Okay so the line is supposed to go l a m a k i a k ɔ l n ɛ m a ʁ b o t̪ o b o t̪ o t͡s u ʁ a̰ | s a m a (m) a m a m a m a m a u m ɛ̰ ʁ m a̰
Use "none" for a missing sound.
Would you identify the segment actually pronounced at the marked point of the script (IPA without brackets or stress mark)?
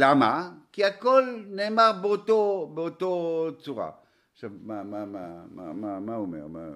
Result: m